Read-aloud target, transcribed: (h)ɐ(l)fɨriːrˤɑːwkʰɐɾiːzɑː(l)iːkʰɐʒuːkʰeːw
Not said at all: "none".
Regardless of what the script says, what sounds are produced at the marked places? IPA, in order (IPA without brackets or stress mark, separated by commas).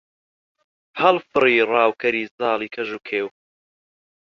h, l, l